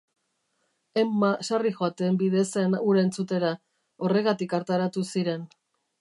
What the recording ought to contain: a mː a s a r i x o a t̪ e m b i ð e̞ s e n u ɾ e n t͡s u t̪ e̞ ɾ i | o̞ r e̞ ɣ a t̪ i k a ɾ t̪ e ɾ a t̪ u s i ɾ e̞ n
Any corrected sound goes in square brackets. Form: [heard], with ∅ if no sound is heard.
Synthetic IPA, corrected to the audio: [e] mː a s a r i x o a t̪ e m b i ð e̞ s e n u ɾ e n t͡s u t̪ e̞ ɾ [a] | o̞ r e̞ ɣ a t̪ i k a ɾ t̪ [a] ɾ a t̪ u s i ɾ e̞ n